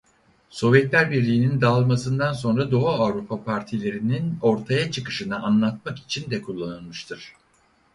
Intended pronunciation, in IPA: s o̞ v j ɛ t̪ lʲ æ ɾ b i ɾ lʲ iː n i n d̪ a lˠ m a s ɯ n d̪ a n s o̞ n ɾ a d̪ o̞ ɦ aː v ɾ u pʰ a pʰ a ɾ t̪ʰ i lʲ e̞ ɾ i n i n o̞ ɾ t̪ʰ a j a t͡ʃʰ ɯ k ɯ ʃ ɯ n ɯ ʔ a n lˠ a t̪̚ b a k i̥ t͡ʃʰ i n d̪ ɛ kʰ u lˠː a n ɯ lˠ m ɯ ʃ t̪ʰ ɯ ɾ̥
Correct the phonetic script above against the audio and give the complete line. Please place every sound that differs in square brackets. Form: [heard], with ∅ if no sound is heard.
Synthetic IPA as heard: s o̞ v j ɛ t̪ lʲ æ ɾ b i ɾ lʲ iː n i n d̪ a lˠ m a s ɯ n d̪ a n s o̞ n ɾ a d̪ o̞ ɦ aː v ɾ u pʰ a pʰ a ɾ t̪ʰ i lʲ e̞ ɾ i n i n o̞ ɾ t̪ʰ a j a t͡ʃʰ ɯ k ɯ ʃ ɯ n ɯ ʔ a n lˠ a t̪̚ [m] a k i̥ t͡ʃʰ i n d̪ ɛ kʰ u lˠː a n ɯ lˠ m ɯ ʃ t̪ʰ ɯ ɾ̥

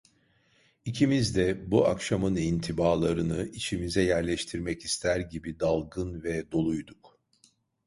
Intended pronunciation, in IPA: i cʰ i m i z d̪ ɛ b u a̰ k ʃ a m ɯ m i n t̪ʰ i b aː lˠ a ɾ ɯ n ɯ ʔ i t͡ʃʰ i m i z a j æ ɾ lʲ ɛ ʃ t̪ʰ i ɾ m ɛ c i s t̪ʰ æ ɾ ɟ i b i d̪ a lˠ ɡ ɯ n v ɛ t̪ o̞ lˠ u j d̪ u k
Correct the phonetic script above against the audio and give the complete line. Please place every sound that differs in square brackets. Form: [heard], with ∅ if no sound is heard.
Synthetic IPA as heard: i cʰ i m i z d̪ ɛ b u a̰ k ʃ a m ɯ [n] i n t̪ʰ i b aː lˠ a ɾ ɯ n ɯ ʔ i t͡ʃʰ i m i z [ɛ] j æ ɾ lʲ ɛ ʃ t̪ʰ i ɾ m ɛ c i s t̪ʰ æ ɾ ɟ i b i d̪ a lˠ ɡ ɯ n v ɛ [d̪] o̞ lˠ u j d̪ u k

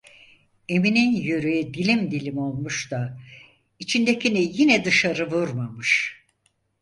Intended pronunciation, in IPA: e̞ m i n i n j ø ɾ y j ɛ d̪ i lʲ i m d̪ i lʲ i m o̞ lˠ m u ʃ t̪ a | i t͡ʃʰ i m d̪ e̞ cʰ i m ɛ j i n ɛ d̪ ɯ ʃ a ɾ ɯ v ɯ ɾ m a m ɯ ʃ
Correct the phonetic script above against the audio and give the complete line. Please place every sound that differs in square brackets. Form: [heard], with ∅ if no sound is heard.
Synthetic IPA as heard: e̞ m i n i n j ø ɾ y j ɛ d̪ i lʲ i m d̪ i lʲ i m o̞ lˠ m u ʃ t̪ a | i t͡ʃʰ i [n] d̪ e̞ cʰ i [n] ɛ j i n ɛ d̪ ɯ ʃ a ɾ ɯ v [u] ɾ m a m ɯ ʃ

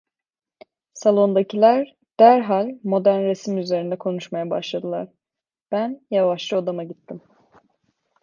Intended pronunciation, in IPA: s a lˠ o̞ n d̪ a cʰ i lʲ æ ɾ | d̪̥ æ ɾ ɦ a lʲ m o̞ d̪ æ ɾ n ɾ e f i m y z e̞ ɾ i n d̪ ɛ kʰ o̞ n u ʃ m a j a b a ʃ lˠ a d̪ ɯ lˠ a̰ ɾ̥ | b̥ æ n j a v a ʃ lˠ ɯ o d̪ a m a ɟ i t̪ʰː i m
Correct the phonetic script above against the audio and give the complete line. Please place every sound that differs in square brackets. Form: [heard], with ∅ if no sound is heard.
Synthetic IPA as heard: s a lˠ o̞ n d̪ a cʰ i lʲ æ ɾ | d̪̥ æ ɾ ɦ a lʲ m o̞ d̪ æ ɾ n ɾ e [s] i m y z e̞ ɾ i n d̪ ɛ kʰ o̞ n u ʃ m a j a b a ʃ lˠ a d̪ ɯ lˠ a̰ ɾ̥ | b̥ æ n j a v a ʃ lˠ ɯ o d̪ a m a ɟ i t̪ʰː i m

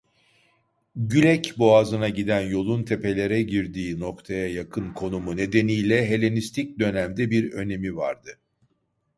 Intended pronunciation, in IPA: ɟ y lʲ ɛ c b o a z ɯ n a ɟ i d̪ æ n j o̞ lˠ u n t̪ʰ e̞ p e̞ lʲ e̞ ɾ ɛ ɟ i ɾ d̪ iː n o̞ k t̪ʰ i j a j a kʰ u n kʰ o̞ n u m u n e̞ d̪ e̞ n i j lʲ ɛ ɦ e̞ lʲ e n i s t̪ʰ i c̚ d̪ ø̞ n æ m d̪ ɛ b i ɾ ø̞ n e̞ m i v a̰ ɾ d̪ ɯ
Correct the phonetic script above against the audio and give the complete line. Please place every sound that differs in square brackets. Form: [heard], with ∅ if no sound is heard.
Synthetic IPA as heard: ɟ y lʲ ɛ c b o a z ɯ n a ɟ i d̪ æ n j o̞ lˠ u n t̪ʰ e̞ p e̞ lʲ e̞ ɾ ɛ ɟ i ɾ d̪ iː n o̞ k t̪ʰ [a] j a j a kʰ [ɯ] n kʰ o̞ n u m u n e̞ d̪ e̞ n i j lʲ ɛ ɦ e̞ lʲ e n i s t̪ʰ i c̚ d̪ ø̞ n æ m d̪ ɛ b i ɾ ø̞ n e̞ m i v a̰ ɾ d̪ ɯ

